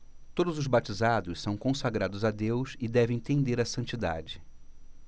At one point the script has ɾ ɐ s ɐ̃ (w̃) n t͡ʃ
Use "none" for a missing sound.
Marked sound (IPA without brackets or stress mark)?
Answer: none